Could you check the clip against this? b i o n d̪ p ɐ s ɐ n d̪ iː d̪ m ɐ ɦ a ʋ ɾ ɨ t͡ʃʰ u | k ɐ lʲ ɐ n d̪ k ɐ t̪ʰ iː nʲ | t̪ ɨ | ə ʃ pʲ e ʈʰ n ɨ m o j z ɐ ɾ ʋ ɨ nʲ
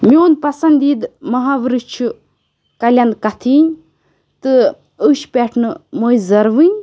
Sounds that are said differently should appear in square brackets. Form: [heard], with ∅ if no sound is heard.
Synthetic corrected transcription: [m] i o n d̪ p ɐ s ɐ n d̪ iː d̪ m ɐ ɦ a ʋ ɾ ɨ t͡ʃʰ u | k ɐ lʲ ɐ n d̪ k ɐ t̪ʰ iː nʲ | t̪ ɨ | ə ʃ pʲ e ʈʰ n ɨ m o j z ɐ ɾ ʋ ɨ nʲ